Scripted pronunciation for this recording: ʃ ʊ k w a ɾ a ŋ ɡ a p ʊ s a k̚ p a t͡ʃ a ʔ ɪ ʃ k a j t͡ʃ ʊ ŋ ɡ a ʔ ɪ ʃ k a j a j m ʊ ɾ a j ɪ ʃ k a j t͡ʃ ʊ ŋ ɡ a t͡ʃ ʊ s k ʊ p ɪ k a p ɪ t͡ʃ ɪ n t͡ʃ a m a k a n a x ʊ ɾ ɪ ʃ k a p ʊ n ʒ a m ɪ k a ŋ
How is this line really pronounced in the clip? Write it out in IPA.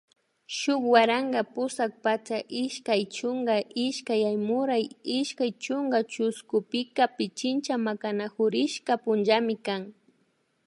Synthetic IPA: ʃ ʊ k w a ɾ a ŋ ɡ a p ʊ s a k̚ p a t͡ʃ a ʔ ɪ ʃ k a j t͡ʃ ʊ ŋ ɡ a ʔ ɪ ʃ k a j a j m ʊ ɾ a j ɪ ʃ k a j t͡ʃ ʊ ŋ ɡ a t͡ʃ ʊ s k ʊ p ɪ k a p ɪ t͡ʃ ɪ n t͡ʃ a m a k a n a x ʊ ɾ ɪ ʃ k a p ʊ n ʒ a m ɪ k a ŋ

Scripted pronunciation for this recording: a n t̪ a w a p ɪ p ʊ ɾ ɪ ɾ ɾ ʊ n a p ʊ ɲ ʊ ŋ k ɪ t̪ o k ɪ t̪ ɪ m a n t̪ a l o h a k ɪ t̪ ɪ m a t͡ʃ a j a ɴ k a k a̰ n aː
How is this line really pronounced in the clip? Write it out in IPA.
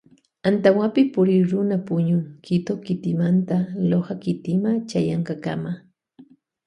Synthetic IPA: a n t̪ a w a p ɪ p ʊ ɾ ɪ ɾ ɾ ʊ n a p ʊ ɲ ʊ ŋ k ɪ t̪ o k ɪ t̪ ɪ m a n t̪ a l o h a k ɪ t̪ ɪ m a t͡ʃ a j a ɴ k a k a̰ m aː

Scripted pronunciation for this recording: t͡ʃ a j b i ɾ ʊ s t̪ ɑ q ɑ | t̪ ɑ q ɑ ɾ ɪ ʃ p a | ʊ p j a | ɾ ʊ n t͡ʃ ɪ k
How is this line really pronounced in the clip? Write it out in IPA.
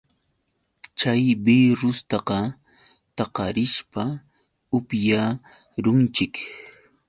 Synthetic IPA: t͡ʃ a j b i ɾ ʊ s t̪ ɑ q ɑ | t̪ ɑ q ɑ ɾ ɪ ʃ p a | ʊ p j a | ɾ ʊ n t͡ʃ ɪ k

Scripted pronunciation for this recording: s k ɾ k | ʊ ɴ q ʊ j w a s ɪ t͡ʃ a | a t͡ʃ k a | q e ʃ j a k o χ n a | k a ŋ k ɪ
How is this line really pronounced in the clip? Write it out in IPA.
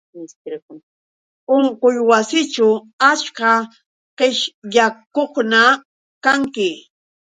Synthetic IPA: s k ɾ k | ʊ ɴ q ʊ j w a s ɪ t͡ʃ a | a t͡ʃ k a | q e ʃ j a k o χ n a | k a ŋ k ɪ

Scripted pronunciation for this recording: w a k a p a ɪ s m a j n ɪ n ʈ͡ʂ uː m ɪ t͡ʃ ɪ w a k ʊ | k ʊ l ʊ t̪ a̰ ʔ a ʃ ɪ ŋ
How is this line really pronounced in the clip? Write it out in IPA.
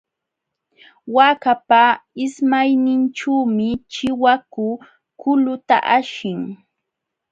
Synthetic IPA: w a k a p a ɪ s m a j n ɪ n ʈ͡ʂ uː m ɪ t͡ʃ ɪ w a k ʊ | k ʊ l ʊ t̪ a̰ ʔ a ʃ ɪ ŋ

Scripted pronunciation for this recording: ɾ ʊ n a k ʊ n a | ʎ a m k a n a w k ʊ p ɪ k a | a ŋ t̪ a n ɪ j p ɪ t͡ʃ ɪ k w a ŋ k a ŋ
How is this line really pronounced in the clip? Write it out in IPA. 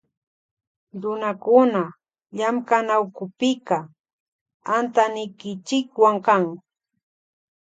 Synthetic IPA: ɾ ʊ n a k ʊ n a | ʎ a m k a n a w k ʊ p ɪ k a | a n t̪ a n ɪ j k ɪ t͡ʃ ɪ k w a ŋ k a ŋ

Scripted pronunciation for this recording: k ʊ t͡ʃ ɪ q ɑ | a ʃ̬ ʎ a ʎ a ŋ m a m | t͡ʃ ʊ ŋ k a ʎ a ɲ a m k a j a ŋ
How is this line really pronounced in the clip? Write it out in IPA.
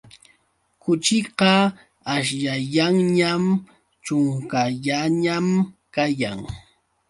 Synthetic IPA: k ʊ t͡ʃ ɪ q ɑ | a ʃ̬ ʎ a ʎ a ŋ ɲ a m | t͡ʃ ʊ ŋ k a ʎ a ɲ a m k a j a ŋ

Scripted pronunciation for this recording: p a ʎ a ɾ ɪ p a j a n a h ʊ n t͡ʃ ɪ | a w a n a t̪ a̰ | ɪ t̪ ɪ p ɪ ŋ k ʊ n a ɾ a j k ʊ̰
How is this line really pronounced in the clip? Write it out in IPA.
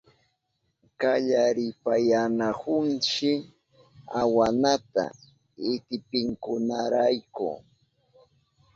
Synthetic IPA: k a ʎ a ɾ ɪ p a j a n a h ʊ n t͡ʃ ɪ | a w a n a t̪ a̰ | ɪ t̪ ɪ p ɪ ŋ k ʊ n a ɾ a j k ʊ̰

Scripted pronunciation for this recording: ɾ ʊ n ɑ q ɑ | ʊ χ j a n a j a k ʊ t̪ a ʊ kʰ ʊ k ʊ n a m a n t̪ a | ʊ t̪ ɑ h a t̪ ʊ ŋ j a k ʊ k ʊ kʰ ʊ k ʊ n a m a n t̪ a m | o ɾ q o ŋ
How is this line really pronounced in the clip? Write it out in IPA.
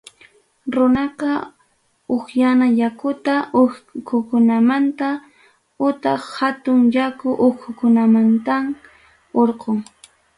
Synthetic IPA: ɾ ʊ n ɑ q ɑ | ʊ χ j a n a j a k ʊ t̪ a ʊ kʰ ʊ k ʊ n a m a n t̪ a | ʊ t̪ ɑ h a t̪ ʊ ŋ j a k ʊ ʔ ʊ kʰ ʊ k ʊ n a m a n t̪ a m | o ɾ q o ŋ

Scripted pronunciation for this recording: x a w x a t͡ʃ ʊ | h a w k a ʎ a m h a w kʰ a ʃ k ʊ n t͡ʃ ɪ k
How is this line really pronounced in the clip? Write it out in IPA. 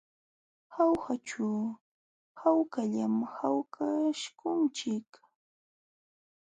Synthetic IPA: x a w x a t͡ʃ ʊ | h a w k a ʎ a m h a w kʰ a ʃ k ʊ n t͡ʃ ɪ k

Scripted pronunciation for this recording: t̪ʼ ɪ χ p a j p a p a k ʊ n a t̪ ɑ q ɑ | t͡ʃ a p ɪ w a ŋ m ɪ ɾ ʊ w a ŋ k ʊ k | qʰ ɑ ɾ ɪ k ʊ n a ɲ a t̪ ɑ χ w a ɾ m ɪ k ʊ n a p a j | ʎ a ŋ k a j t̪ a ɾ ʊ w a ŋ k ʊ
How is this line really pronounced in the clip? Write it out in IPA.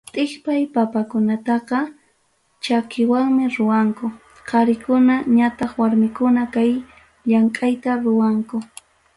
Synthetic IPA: t̪ʼ ɪ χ p a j p a p a k ʊ n a t̪ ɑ q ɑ | t͡ʃ a k ɪ w a ŋ m ɪ ɾ ʊ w a ŋ k ʊ | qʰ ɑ ɾ ɪ k ʊ n a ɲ a t̪ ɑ χ w a ɾ m ɪ k ʊ n a k a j | ʎ a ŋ kʼ a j t̪ a ɾ ʊ w a ŋ k ʊ

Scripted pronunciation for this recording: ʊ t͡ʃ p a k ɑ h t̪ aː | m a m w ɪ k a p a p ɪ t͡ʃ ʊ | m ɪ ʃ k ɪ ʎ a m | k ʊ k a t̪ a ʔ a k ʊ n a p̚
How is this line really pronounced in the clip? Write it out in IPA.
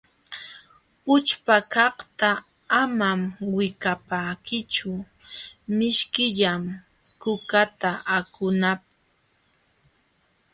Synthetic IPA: ʊ t͡ʃ p a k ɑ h t̪ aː | m a m w ɪ k a p a k ɪ t͡ʃ ʊ | m ɪ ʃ k ɪ ʎ a m | k ʊ k a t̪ a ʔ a k ʊ n a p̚

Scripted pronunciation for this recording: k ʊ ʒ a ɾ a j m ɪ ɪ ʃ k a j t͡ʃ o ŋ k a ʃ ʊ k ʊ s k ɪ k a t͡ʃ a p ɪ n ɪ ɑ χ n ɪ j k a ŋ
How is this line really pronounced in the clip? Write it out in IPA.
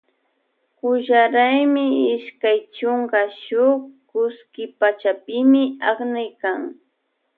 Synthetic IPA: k ʊ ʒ a ɾ a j m ɪ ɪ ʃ k a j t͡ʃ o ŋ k a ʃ ʊ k ʊ s k ɪ p a t͡ʃ a p ɪ m ɪ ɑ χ n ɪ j k a ŋ

